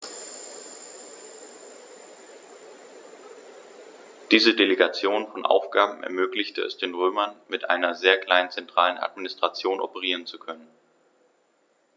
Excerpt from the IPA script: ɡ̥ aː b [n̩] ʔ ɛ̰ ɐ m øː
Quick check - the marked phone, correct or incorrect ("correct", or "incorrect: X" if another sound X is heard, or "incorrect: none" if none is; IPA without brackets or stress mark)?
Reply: incorrect: m̩